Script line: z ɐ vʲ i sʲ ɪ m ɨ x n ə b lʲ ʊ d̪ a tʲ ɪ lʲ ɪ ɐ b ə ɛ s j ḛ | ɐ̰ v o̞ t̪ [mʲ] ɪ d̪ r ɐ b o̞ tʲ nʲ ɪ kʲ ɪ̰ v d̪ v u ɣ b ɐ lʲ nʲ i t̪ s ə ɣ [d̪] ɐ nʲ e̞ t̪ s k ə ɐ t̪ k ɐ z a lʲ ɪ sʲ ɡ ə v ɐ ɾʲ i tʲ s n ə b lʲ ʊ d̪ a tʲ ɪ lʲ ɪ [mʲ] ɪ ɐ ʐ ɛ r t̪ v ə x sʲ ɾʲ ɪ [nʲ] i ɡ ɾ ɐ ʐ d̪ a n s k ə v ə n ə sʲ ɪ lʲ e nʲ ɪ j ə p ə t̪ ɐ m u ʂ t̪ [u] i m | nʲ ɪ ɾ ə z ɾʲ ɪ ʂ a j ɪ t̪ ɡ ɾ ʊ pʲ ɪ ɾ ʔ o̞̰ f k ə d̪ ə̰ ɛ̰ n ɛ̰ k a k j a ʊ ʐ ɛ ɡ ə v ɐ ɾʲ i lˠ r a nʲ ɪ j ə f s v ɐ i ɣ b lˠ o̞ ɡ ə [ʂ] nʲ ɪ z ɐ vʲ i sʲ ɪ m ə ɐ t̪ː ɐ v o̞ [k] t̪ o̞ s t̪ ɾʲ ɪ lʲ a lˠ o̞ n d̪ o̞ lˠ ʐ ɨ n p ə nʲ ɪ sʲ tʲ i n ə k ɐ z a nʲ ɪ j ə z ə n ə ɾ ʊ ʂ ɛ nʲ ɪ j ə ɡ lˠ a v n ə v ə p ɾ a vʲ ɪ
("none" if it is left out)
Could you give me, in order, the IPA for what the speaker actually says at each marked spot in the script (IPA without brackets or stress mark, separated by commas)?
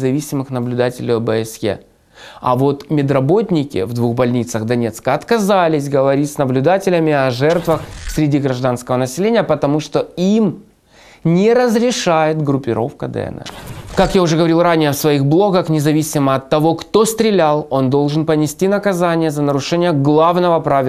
mʲ, d̪, mʲ, dʲ, o, x, k